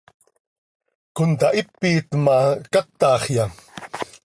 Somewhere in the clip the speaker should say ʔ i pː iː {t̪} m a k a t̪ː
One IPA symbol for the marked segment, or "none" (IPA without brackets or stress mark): t̪